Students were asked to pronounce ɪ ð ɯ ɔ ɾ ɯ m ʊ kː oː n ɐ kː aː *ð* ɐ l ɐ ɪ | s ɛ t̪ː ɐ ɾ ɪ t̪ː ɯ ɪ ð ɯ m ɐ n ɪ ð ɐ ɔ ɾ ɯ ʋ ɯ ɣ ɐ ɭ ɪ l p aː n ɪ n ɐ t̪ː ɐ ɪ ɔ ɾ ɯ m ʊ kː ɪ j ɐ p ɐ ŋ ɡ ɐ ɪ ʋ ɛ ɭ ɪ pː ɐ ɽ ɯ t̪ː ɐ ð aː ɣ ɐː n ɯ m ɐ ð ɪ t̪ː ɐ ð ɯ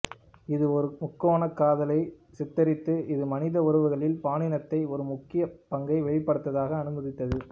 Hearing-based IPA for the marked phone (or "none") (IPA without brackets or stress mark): ð